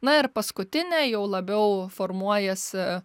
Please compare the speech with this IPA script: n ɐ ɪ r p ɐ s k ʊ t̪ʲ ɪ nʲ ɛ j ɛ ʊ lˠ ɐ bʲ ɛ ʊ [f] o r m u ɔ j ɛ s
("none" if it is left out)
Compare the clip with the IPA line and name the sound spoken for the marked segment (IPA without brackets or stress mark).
f